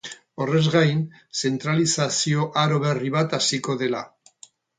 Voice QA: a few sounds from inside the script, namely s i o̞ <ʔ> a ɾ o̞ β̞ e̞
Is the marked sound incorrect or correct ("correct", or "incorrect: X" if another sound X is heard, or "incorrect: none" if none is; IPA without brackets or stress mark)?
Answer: correct